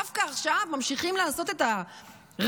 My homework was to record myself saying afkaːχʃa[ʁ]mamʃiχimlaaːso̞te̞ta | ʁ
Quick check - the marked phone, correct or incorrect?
incorrect